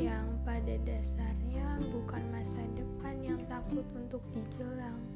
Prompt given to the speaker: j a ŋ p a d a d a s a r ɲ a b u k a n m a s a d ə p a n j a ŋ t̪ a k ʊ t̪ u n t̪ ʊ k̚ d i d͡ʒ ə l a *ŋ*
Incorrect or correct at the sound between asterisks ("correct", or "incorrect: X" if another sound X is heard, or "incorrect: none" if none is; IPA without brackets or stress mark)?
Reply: correct